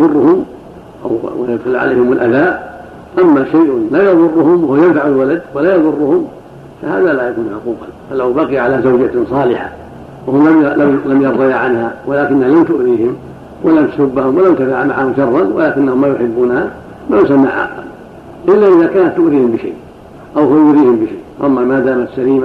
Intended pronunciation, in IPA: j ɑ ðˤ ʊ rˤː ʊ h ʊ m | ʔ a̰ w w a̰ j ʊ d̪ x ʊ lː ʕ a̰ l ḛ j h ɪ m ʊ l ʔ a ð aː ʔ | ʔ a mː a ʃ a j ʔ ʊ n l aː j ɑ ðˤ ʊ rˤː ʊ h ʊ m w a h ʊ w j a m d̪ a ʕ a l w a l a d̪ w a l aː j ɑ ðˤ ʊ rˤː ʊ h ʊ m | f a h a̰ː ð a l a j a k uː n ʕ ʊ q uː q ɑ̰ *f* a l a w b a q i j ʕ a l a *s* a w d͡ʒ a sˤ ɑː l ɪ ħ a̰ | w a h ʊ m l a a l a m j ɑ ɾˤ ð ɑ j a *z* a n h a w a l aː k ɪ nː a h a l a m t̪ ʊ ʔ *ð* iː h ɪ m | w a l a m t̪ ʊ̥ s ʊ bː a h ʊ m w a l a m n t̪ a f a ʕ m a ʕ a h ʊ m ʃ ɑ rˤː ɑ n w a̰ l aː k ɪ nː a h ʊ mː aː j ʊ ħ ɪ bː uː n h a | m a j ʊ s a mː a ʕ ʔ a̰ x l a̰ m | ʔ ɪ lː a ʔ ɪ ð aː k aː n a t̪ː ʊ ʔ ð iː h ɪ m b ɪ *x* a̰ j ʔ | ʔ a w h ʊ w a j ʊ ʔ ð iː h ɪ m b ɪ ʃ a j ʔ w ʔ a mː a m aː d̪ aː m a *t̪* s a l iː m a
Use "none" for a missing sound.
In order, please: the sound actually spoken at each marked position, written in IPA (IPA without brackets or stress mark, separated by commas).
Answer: f, z, ʕ, ð, ʃ, t̪